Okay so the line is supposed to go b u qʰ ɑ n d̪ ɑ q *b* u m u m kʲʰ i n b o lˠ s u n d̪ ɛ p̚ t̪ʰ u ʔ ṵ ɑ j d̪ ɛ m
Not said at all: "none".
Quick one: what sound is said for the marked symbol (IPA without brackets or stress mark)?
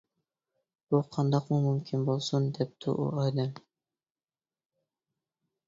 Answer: m